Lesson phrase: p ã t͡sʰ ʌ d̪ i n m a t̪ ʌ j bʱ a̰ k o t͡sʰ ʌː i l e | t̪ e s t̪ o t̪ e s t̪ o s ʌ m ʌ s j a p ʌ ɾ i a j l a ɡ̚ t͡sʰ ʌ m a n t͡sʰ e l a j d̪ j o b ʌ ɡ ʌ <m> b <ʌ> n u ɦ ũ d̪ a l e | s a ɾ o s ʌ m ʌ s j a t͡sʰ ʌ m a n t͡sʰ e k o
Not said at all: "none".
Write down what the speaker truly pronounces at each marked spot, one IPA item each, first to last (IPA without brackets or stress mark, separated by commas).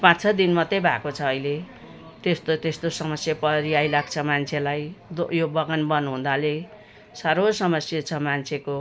n, ʌ